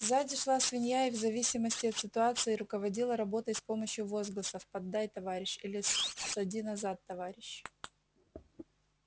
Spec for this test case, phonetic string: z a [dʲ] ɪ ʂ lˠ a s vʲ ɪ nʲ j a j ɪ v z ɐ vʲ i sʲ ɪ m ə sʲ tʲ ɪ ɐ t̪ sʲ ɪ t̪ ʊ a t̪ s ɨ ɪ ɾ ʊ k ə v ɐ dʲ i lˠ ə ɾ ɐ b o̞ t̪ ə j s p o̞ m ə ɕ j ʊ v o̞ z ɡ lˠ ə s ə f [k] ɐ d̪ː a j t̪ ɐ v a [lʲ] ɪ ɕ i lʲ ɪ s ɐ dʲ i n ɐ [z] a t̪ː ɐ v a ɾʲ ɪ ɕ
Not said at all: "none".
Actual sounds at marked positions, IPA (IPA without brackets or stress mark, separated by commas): dʲ, p, ɾʲ, z